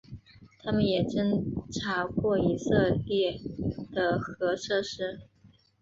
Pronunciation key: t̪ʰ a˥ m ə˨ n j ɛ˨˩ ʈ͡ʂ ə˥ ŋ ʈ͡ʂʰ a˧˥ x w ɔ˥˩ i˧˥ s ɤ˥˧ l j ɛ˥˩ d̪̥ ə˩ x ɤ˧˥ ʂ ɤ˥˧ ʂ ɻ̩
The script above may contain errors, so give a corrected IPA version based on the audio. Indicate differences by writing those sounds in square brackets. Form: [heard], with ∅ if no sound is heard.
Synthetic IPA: t̪ʰ a˥ m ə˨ n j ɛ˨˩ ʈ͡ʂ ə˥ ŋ ʈ͡ʂʰ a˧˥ [k] w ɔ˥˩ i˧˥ s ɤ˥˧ l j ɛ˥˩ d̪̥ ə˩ x ɤ˧˥ ʂ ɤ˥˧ ʂ ɻ̩